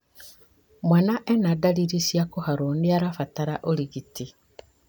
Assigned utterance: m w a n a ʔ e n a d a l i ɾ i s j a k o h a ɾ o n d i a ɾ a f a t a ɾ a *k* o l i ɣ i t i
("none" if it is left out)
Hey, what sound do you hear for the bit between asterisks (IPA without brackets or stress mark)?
ʔ